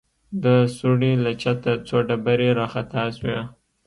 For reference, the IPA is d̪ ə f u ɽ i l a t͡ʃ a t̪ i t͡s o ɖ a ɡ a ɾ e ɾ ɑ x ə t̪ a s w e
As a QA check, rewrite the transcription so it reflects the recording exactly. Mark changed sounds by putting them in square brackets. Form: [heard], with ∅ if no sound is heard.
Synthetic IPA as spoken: d̪ ə [s] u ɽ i l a t͡ʃ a t̪ [a] t͡s o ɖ a [b] a ɾ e ɾ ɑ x [a] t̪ a s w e